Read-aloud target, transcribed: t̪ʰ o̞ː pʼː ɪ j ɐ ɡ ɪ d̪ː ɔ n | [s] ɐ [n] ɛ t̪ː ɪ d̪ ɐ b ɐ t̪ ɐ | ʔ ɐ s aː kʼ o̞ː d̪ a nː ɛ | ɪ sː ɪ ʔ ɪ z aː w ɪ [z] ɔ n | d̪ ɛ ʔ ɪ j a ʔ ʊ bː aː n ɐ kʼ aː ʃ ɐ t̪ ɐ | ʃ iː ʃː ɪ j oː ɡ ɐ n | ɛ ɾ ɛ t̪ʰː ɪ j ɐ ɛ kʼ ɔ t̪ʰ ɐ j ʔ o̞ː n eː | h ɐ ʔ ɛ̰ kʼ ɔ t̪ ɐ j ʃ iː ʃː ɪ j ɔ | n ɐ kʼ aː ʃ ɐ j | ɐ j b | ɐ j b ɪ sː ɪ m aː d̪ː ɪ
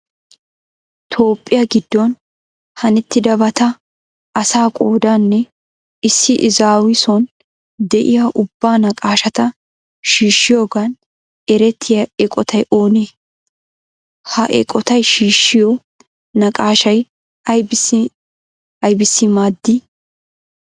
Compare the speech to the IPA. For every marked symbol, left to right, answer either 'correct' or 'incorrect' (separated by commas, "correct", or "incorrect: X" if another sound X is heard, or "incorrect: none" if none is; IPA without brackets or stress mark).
incorrect: h, correct, incorrect: s